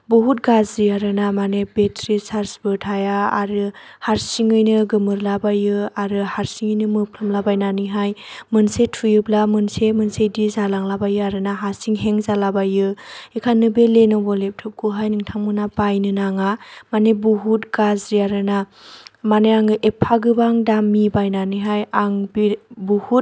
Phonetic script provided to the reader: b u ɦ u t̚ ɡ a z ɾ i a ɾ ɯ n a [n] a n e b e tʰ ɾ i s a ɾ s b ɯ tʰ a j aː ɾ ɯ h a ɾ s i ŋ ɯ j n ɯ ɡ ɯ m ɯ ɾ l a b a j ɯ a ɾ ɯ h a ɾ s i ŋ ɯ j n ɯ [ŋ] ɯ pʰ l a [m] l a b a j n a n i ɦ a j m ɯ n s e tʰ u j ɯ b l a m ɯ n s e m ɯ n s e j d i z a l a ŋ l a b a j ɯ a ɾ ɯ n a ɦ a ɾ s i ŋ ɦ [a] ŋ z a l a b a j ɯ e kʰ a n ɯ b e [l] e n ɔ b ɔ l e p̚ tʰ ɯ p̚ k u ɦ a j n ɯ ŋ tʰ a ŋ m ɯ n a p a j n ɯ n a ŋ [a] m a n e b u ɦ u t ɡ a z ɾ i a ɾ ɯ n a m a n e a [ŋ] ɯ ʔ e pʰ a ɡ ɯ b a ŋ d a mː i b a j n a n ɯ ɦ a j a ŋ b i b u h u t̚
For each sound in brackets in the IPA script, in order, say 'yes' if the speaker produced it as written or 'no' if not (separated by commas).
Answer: no, no, yes, no, yes, yes, yes